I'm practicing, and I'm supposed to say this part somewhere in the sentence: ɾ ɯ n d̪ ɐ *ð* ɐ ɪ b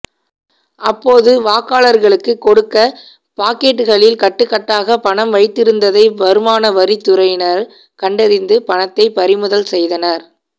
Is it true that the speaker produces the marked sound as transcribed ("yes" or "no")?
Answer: yes